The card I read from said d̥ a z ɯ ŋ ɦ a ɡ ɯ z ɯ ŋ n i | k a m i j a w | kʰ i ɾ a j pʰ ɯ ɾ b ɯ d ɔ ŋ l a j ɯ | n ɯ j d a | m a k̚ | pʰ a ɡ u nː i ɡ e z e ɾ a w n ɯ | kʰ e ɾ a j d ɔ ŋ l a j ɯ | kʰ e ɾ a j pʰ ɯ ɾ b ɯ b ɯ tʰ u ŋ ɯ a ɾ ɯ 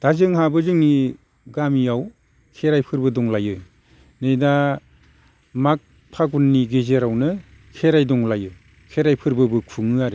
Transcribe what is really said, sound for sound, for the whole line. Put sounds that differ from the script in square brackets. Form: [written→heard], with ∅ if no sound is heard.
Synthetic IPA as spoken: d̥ a z ɯ ŋ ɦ a [ɡ→b] ɯ z ɯ ŋ n i | [k→ɡ] a m i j a w | kʰ [i→e] ɾ a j pʰ ɯ ɾ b ɯ d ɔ ŋ l a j ɯ | n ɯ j d a | m a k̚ | pʰ a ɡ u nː i ɡ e z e ɾ a w n ɯ | kʰ e ɾ a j d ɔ ŋ l a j ɯ | kʰ e ɾ a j pʰ ɯ ɾ b ɯ b ɯ [tʰ→kʰ] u ŋ ɯ a ɾ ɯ